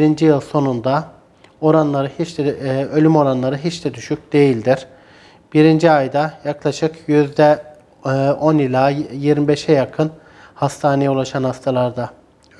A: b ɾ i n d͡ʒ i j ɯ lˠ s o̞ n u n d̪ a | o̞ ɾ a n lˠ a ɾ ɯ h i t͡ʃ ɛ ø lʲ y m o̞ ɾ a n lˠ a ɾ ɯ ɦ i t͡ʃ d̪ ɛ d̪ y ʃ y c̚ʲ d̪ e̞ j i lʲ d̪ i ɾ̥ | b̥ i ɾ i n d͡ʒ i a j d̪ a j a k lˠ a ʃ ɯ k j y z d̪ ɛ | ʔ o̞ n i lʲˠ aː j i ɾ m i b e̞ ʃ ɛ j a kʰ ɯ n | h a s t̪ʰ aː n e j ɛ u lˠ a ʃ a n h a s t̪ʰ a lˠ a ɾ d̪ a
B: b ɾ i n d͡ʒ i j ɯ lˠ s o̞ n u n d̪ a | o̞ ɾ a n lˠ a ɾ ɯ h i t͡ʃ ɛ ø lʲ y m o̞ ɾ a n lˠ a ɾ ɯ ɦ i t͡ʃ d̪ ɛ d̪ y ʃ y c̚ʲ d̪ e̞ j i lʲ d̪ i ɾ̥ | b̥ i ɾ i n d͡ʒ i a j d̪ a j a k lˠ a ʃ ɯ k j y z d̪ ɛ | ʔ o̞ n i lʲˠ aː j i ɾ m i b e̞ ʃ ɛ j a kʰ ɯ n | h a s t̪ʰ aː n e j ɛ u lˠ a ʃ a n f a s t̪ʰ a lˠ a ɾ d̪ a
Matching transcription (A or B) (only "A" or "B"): A